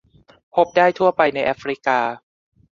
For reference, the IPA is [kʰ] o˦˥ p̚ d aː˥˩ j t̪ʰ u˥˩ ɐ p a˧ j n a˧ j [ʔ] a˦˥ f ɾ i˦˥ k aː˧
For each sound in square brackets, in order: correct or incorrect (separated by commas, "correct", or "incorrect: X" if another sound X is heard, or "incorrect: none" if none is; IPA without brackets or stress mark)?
incorrect: pʰ, correct